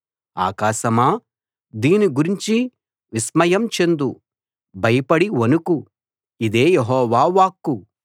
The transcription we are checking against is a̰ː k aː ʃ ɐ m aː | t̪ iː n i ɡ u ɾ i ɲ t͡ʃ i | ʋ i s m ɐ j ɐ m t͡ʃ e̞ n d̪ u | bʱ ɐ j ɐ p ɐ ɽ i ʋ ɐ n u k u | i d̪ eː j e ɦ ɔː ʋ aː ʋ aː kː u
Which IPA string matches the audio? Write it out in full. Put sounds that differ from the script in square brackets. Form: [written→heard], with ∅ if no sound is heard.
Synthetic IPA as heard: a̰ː k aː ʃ ɐ m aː | [t̪→d̪] iː n i ɡ u ɾ i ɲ t͡ʃ i | ʋ i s m ɐ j ɐ m t͡ʃ e̞ n d̪ u | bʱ ɐ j ɐ p ɐ ɽ i ʋ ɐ n u k u | i d̪ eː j e ɦ ɔː ʋ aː ʋ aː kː u